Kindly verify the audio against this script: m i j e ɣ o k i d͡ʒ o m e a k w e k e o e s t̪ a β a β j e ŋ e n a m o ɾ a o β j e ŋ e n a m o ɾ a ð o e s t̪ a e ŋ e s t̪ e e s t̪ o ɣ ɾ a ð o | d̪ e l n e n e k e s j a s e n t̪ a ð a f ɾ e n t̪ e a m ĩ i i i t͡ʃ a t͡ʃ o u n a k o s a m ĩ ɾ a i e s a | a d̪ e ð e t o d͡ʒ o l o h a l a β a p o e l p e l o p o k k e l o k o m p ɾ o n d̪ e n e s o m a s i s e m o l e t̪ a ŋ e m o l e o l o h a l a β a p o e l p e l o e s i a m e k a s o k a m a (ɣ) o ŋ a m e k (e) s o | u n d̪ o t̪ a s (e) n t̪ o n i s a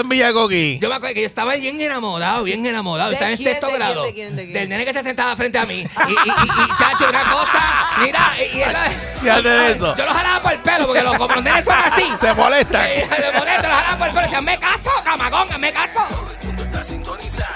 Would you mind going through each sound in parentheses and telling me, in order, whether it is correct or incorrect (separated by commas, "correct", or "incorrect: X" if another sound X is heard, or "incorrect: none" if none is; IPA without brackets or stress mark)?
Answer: correct, incorrect: a, incorrect: i